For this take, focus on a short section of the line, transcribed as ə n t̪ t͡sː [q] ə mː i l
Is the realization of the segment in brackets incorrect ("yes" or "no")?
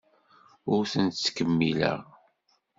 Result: yes